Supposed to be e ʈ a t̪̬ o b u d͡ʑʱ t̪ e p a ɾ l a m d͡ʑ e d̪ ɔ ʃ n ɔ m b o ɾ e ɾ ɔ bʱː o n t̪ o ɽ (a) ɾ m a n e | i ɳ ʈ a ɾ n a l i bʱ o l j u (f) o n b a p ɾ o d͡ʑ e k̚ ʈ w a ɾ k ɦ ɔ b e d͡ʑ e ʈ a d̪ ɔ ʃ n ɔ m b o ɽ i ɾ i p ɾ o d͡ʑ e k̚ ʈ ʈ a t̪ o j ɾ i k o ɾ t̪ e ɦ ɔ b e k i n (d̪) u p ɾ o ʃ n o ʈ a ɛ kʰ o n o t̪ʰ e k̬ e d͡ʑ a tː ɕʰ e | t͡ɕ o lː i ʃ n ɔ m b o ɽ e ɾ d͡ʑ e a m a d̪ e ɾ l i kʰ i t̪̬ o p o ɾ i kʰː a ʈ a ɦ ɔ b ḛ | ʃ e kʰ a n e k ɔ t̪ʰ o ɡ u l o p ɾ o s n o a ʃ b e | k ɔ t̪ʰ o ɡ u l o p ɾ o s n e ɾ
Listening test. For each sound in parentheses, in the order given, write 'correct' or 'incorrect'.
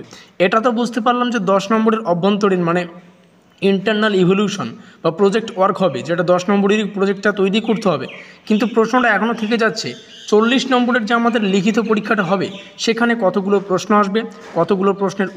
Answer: incorrect, incorrect, incorrect

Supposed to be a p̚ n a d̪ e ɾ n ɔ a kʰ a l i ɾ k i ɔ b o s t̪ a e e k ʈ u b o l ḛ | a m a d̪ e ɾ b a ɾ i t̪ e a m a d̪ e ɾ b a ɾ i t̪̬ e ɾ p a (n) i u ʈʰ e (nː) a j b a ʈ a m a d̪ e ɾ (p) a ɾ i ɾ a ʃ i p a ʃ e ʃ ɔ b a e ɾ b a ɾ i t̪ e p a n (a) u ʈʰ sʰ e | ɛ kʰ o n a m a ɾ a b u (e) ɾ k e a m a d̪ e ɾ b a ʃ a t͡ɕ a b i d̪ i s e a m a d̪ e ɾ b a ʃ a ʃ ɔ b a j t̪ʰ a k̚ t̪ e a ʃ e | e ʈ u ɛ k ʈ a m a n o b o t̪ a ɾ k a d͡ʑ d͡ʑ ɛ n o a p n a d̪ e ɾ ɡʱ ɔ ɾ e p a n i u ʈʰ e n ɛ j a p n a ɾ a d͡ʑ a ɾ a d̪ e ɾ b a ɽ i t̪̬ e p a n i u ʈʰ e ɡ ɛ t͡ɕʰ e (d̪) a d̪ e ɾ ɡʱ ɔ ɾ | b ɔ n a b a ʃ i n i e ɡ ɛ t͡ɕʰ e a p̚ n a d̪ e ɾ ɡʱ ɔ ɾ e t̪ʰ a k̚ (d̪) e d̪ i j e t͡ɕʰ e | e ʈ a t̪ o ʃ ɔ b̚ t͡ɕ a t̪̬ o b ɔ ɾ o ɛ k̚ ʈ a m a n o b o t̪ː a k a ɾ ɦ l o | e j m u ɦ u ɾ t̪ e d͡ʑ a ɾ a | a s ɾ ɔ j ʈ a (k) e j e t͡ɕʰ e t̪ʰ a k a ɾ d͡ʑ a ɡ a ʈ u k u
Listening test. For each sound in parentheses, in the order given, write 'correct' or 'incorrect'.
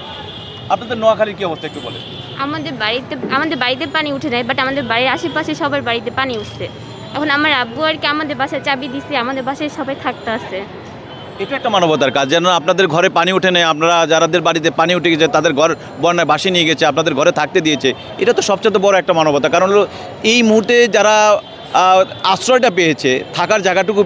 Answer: correct, incorrect, incorrect, incorrect, incorrect, incorrect, incorrect, incorrect

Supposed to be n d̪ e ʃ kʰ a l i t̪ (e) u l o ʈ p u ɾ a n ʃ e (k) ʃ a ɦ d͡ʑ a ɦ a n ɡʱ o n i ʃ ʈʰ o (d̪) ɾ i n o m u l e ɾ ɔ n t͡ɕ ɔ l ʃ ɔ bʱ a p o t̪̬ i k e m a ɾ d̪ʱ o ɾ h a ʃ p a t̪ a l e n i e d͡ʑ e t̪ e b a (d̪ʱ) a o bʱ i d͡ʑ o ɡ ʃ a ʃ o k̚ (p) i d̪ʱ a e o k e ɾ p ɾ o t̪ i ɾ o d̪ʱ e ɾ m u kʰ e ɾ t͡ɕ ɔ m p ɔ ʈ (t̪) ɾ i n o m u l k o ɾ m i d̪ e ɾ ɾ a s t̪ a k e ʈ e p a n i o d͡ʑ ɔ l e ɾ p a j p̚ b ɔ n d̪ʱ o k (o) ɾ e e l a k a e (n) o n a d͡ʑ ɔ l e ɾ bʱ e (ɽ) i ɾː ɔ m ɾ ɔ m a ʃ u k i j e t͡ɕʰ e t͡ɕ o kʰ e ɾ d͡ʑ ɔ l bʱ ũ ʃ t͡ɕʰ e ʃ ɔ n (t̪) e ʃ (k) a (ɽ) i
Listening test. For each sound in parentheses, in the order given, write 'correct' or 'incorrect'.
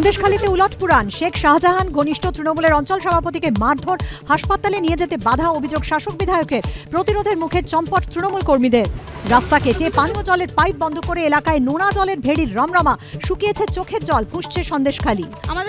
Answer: correct, incorrect, incorrect, correct, incorrect, correct, correct, correct, correct, incorrect, incorrect, incorrect

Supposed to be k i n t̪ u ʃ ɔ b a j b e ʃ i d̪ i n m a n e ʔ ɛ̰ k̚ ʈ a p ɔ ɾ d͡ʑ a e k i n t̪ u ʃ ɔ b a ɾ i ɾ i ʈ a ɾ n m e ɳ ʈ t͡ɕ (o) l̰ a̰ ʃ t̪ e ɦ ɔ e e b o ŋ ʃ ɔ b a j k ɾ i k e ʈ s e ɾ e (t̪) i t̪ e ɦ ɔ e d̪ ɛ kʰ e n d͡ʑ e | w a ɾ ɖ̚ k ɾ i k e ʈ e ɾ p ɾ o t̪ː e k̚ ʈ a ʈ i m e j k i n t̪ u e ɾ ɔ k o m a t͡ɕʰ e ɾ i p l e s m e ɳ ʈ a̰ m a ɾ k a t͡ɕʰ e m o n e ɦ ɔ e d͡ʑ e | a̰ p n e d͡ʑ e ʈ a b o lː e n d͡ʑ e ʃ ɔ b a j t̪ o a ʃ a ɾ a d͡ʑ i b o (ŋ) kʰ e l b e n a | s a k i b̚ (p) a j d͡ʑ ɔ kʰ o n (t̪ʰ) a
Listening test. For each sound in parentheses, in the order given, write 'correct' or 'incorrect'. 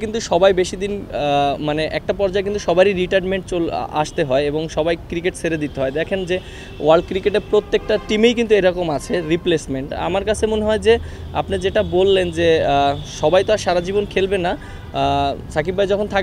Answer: correct, incorrect, incorrect, incorrect, correct

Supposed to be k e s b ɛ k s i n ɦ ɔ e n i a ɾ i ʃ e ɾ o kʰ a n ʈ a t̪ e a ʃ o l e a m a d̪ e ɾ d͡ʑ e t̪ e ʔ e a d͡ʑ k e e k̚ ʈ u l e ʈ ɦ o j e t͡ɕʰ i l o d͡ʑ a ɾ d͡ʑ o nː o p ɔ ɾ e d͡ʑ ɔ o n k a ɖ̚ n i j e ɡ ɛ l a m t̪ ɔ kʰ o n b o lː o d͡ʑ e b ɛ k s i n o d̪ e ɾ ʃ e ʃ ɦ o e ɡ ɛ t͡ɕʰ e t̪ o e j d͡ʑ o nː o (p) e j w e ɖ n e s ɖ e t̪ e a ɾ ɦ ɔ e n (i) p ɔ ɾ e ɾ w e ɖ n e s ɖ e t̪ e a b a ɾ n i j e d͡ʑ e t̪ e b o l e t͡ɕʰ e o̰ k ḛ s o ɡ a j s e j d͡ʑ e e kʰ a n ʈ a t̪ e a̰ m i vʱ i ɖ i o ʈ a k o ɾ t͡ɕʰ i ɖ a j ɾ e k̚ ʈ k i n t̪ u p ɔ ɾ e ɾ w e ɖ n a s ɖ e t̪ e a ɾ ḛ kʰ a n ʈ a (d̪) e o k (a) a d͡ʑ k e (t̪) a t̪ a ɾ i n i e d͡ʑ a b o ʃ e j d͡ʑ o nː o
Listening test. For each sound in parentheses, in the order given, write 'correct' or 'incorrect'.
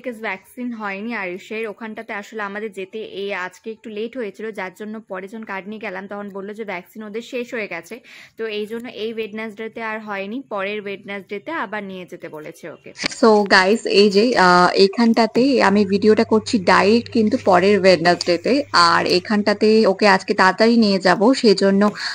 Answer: incorrect, correct, incorrect, incorrect, correct

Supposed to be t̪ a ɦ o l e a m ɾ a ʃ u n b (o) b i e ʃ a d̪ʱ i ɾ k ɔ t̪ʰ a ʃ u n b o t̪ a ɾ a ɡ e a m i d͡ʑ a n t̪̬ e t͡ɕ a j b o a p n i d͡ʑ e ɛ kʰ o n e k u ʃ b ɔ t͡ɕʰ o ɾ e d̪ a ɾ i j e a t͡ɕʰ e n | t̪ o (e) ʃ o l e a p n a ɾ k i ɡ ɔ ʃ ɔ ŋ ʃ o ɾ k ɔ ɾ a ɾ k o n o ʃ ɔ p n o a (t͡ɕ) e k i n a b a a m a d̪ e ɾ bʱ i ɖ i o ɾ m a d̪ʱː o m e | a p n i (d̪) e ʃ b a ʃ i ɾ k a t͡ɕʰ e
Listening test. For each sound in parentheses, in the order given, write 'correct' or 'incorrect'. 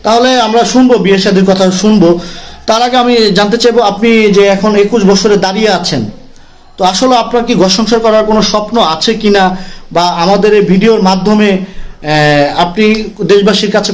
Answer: correct, incorrect, incorrect, correct

